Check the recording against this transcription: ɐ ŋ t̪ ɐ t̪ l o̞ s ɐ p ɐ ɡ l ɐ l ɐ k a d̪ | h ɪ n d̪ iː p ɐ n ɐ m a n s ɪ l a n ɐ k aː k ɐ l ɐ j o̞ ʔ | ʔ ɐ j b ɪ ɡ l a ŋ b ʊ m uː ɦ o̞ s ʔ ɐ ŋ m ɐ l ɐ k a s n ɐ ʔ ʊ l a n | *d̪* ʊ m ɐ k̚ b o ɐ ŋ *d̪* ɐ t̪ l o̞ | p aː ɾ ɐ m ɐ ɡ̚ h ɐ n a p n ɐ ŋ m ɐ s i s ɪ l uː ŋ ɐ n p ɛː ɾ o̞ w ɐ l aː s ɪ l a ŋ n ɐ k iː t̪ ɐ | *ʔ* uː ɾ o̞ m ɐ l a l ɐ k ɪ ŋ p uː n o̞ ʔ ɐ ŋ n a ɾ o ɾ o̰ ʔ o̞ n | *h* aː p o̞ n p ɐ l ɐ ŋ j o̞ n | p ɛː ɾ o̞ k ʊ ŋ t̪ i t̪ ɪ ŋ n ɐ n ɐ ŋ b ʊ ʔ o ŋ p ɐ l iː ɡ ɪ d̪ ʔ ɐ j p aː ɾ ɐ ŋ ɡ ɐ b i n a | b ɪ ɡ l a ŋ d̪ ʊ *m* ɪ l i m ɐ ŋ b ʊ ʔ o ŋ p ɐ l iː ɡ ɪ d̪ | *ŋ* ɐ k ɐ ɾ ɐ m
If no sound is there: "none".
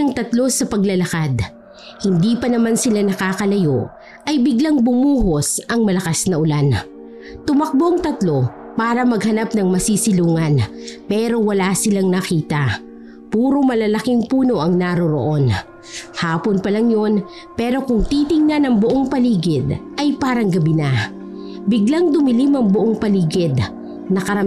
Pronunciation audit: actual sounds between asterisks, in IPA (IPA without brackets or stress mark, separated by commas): t̪, t̪, p, h, m, n